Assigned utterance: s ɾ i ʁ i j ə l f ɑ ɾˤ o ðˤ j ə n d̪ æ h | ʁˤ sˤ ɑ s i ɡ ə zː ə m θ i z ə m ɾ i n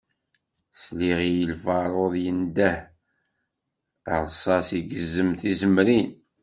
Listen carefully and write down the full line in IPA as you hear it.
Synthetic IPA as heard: s l i ʁ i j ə l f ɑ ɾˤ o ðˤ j ə n d̪ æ h | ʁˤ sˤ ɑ s i ɡ ə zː ə m θ i z ə m ɾ i n